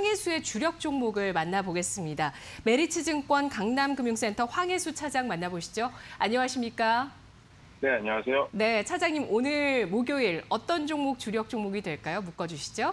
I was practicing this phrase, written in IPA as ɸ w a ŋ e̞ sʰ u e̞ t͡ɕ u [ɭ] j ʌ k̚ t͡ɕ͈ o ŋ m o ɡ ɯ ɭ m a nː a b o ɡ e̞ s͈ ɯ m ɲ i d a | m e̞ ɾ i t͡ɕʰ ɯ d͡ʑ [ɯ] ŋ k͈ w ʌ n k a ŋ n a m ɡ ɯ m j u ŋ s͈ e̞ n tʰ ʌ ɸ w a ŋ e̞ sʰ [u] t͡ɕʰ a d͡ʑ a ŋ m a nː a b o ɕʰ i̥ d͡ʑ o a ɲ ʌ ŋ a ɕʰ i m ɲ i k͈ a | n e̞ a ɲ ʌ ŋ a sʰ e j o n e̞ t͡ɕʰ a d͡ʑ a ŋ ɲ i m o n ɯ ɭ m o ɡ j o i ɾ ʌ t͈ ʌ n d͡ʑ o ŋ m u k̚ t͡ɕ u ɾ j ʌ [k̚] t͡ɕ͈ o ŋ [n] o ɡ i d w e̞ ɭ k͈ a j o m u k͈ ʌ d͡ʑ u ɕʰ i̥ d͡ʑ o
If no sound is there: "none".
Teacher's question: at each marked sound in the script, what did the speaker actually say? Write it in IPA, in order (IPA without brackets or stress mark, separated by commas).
ɾ, ɯ, u, k̚, m